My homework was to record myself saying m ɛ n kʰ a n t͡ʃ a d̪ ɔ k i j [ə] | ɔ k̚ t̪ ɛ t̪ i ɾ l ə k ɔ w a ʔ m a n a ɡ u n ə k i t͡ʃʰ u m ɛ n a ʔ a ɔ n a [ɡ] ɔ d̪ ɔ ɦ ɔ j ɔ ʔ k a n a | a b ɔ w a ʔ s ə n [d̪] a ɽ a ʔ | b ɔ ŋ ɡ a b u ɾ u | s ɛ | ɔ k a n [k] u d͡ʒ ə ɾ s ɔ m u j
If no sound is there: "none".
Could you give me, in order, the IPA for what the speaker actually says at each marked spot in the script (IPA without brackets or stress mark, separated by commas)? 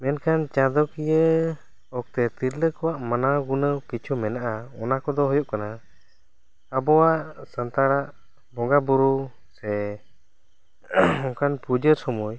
ə, k, t̪, p